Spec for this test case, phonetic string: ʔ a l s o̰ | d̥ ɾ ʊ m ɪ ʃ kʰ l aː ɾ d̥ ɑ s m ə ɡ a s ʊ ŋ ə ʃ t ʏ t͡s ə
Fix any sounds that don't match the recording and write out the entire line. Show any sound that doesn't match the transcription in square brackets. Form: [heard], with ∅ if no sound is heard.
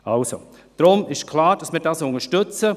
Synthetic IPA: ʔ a l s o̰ | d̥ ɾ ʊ m ɪ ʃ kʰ l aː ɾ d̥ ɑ s m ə [d] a s ʊ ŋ ə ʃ t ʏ t͡s ə